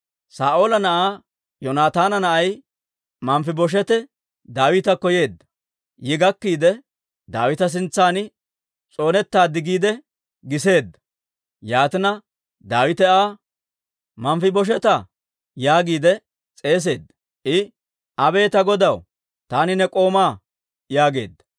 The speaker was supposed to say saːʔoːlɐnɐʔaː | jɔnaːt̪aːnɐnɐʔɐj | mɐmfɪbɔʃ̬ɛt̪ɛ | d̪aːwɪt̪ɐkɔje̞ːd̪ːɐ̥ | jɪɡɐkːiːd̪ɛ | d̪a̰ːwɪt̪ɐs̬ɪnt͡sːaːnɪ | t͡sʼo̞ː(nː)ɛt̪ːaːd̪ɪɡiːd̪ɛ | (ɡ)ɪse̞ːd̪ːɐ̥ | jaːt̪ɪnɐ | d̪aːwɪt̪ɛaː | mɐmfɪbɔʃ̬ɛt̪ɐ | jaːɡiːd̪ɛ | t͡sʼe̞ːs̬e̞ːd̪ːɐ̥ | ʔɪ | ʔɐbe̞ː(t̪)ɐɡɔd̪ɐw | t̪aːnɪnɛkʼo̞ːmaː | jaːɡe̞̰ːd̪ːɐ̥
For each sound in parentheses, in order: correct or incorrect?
incorrect: n, correct, correct

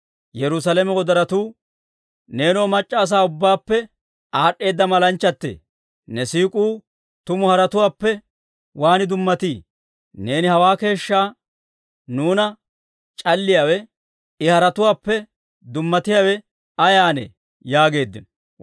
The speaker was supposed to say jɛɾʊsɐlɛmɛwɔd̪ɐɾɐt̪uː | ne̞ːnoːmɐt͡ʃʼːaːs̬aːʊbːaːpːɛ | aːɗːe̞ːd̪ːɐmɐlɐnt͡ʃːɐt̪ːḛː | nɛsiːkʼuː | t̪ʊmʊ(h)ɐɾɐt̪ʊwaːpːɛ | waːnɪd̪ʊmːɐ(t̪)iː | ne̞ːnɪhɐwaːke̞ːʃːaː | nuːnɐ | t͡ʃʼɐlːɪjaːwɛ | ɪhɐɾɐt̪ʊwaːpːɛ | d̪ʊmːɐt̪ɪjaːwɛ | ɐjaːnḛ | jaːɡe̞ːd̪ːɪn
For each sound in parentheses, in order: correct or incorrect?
correct, correct

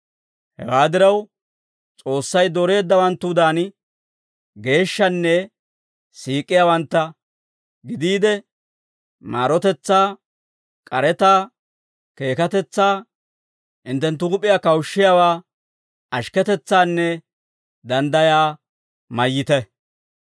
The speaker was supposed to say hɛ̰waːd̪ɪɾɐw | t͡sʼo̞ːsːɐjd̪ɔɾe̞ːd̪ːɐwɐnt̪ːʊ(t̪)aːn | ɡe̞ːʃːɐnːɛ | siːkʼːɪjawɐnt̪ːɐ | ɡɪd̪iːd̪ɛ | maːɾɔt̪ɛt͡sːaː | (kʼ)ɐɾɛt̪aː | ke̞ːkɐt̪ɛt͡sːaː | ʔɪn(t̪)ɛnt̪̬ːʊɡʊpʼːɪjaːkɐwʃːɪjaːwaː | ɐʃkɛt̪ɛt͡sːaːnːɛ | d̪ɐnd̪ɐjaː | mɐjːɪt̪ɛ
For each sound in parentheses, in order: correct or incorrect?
incorrect: d̪, correct, correct

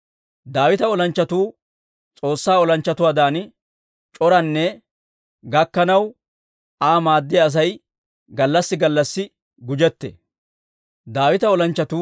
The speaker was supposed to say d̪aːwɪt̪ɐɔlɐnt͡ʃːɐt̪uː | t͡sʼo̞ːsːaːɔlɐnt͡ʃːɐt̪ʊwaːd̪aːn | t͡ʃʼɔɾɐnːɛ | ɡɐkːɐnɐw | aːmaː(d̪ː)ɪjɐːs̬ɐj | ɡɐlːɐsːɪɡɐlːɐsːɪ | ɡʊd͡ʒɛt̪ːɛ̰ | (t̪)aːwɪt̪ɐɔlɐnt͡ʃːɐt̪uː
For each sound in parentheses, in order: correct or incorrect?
correct, incorrect: d̪

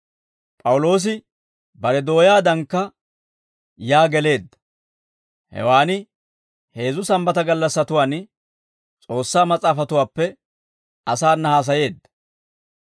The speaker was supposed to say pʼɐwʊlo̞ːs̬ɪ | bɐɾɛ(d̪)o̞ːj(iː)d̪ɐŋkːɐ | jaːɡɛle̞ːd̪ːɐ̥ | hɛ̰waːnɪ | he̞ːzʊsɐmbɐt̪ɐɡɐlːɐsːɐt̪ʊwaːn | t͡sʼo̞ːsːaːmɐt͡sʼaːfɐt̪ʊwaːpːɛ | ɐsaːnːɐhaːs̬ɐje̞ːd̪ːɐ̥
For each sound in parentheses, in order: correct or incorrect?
correct, incorrect: aː

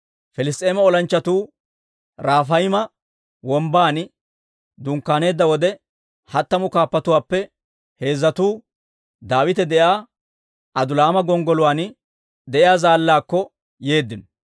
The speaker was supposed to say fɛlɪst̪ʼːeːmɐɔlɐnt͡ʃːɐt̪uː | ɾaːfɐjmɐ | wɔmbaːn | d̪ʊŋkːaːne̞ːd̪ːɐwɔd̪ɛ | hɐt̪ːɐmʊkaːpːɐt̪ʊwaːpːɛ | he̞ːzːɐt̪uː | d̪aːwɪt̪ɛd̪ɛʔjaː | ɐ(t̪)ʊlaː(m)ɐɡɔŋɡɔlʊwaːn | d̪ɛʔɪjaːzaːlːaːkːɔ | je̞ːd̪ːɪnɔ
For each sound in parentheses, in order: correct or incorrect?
incorrect: d̪, correct

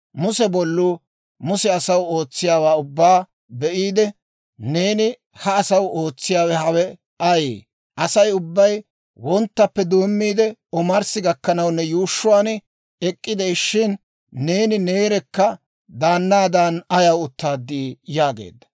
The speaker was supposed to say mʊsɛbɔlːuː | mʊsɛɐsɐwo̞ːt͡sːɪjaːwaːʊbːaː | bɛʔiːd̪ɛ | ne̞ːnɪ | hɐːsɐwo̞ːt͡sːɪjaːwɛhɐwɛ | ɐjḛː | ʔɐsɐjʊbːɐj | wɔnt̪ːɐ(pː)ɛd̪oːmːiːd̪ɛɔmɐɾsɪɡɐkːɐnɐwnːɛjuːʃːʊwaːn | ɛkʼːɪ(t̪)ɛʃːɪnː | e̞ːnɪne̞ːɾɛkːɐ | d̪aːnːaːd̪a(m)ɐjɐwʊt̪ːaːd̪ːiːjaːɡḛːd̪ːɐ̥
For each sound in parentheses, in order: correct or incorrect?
correct, incorrect: d̪, incorrect: n

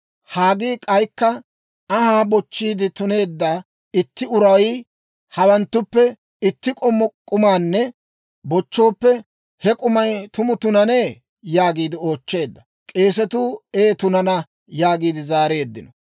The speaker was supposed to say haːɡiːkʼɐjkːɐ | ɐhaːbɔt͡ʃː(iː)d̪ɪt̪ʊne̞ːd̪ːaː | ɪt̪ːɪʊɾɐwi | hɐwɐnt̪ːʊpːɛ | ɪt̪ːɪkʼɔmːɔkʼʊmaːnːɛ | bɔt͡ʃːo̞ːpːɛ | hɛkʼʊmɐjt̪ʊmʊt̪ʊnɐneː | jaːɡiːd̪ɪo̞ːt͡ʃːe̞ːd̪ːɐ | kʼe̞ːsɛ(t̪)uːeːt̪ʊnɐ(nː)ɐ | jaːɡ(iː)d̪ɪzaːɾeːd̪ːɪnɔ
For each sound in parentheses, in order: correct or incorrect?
correct, correct, incorrect: n, correct

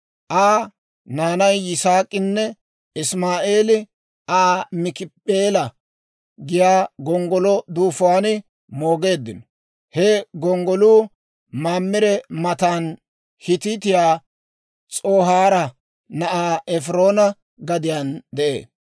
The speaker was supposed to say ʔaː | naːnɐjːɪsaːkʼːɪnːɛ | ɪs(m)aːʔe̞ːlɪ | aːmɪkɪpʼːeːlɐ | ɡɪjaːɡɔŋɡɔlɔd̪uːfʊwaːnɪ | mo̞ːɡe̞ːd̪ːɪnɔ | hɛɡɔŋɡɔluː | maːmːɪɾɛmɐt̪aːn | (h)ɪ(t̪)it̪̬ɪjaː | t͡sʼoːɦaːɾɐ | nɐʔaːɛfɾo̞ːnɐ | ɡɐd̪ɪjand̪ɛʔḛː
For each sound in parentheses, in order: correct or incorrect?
correct, correct, correct

